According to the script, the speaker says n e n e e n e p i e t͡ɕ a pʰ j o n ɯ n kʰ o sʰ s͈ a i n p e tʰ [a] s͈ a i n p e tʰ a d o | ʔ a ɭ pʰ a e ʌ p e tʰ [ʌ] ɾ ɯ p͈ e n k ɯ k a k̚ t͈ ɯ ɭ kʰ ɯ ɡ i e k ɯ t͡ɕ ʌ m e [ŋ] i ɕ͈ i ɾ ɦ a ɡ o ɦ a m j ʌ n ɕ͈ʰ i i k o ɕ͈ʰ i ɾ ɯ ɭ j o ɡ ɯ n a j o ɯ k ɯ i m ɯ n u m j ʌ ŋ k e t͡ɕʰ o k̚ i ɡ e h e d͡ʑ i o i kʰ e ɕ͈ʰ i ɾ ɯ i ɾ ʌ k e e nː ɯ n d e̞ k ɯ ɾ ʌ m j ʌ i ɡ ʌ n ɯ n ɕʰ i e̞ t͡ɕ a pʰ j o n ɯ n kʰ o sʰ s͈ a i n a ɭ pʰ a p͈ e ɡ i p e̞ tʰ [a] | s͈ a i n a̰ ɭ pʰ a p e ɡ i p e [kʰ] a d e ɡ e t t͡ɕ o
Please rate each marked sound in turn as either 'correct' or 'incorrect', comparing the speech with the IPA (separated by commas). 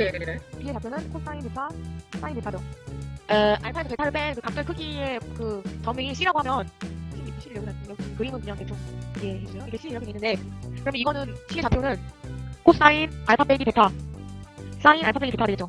correct, incorrect, correct, correct, incorrect